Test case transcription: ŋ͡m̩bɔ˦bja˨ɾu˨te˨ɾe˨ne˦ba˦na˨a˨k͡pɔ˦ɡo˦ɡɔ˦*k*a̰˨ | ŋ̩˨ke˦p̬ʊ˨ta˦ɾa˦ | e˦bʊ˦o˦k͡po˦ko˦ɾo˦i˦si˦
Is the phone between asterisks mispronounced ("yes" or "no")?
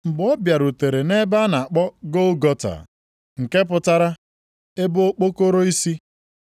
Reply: yes